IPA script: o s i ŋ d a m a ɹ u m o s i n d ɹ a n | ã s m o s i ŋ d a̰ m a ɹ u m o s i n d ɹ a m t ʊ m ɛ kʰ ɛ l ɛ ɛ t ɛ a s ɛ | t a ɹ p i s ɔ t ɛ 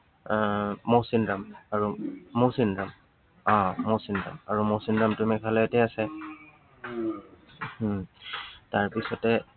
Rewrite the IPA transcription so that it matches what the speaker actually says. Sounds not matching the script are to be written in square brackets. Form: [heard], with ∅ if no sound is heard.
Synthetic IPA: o s i [n] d a m a ɹ u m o s i n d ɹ a [m] | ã [∅] m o s i [n] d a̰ m a ɹ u m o s i n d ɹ a m t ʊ m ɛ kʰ [a] l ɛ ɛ t ɛ a s ɛ | t a ɹ p i s ɔ t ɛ

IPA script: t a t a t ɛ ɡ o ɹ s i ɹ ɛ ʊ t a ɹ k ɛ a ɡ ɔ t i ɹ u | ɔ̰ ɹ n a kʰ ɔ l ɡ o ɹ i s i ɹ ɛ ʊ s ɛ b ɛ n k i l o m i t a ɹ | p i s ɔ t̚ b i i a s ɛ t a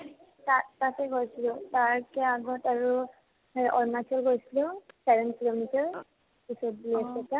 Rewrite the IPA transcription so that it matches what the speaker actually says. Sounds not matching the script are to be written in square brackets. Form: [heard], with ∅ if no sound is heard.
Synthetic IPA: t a t a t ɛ ɡ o ɹ s i [l] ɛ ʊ t a ɹ k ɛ a ɡ ɔ t [a] ɹ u | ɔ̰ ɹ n a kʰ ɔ l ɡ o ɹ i s i [l] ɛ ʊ s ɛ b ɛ n k i l o m i t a ɹ | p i s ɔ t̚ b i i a s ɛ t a

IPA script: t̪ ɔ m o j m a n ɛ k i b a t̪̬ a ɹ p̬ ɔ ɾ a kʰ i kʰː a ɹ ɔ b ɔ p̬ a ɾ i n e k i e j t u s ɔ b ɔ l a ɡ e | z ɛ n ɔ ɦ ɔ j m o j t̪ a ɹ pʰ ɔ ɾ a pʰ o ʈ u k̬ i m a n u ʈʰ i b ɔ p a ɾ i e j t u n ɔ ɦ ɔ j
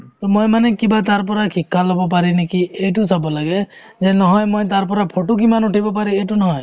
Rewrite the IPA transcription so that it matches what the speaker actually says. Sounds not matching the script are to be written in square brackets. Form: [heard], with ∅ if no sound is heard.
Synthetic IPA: t̪ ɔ m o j m a n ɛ k i b a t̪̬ a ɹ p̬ ɔ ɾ a kʰ i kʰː a [l] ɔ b ɔ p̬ a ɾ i n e k i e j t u s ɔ b ɔ l a ɡ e | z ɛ n ɔ ɦ ɔ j m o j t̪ a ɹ [p] ɔ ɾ a pʰ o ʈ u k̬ i m a n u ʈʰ i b ɔ p a ɾ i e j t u n ɔ ɦ ɔ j

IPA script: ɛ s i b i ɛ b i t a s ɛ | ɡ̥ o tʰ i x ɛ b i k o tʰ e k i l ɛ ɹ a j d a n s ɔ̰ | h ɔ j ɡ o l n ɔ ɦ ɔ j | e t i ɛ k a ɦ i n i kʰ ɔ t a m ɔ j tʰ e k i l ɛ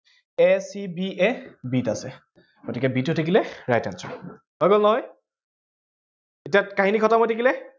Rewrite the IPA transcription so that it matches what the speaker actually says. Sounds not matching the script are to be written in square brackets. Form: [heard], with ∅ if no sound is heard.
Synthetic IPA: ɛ s i b i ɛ b i t a s ɛ | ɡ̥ o [t] i [k] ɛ b i [t] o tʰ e k i l ɛ ɹ a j [t] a n s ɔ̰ | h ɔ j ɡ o l n ɔ ɦ ɔ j | e t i [a] k a ɦ i n i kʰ ɔ t a m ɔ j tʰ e k i l ɛ

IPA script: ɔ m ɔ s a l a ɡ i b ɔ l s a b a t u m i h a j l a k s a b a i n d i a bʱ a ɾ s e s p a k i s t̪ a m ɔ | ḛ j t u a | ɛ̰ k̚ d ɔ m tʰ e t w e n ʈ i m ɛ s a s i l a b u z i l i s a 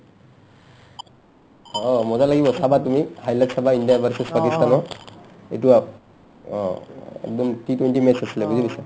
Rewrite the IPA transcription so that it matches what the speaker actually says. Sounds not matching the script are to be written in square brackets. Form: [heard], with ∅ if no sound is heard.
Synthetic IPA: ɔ m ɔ [z] a l a ɡ i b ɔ [∅] s a b a t u m i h a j l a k s a b a i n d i a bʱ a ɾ s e s p a k i s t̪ a [n] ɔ | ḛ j t u a | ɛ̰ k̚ d ɔ m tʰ [i] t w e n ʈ i m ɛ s a s i l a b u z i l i s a

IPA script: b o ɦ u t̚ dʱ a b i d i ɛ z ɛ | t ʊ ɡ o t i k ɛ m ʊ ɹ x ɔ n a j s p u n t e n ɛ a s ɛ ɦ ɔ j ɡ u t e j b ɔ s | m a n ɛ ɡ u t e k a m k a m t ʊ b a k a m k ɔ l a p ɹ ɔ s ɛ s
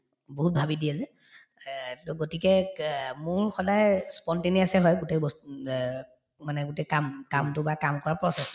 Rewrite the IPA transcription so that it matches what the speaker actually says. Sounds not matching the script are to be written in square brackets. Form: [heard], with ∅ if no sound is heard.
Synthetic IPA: b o ɦ u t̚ [bʱ] a b i d i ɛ z ɛ | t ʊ ɡ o t i k ɛ m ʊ ɹ x ɔ [d] a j s p [ɔ] n t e n [i] a s ɛ ɦ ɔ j ɡ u t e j b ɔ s | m a n ɛ ɡ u t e k a m k a m t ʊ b a k a m k ɔ [ɹ] a p ɹ ɔ s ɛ s

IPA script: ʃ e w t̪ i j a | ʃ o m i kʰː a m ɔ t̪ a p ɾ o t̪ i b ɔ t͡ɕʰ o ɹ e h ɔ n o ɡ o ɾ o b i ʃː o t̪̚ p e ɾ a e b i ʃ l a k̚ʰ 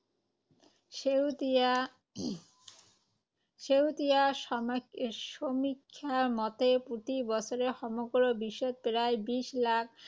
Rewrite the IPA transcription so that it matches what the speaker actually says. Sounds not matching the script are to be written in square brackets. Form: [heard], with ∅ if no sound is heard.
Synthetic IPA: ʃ e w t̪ i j a | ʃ o m i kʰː a m ɔ t̪ [e] p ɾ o t̪ i b ɔ t͡ɕʰ o [ɾ] e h ɔ [m] o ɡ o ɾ o b i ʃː o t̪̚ p e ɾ a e b i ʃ l a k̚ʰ

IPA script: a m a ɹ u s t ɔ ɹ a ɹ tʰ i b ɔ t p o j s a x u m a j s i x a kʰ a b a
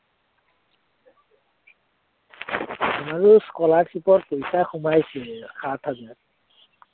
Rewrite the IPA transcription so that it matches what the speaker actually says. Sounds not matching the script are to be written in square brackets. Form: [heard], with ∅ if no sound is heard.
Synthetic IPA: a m a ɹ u s [k] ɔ [l] a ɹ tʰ i [p] ɔ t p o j s a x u m a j s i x a [tʰ] a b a

